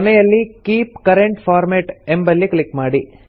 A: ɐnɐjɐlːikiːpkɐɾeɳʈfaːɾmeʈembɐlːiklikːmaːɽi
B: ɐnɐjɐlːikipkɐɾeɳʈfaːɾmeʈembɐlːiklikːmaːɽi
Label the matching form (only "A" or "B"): A